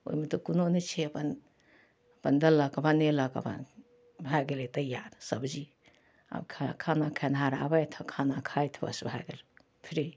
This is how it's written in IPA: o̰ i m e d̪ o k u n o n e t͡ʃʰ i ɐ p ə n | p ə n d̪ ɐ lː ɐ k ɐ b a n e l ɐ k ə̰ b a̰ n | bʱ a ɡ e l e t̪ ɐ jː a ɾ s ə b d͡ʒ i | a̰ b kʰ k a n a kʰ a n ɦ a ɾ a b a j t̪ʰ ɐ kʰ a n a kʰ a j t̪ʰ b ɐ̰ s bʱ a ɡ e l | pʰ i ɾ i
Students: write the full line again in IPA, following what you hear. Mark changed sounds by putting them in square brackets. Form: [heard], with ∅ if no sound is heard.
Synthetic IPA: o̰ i m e [t̪] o k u n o n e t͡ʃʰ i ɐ p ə n | p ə n d̪ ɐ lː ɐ k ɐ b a n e l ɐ k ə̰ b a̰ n | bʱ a ɡ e l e t̪ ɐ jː a ɾ s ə b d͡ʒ i | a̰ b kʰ [kʰ] a n a kʰ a n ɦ a ɾ a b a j t̪ʰ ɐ kʰ a n a kʰ a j t̪ʰ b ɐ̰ s bʱ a ɡ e l | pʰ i ɾ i